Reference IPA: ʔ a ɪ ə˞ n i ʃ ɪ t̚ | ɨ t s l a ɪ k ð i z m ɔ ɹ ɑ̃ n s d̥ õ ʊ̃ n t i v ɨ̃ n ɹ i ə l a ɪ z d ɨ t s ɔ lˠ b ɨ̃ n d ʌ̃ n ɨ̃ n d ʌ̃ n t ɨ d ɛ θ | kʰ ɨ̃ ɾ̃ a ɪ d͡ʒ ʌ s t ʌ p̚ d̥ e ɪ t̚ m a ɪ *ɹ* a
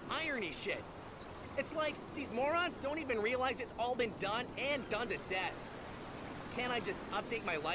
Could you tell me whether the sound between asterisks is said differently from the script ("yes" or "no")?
yes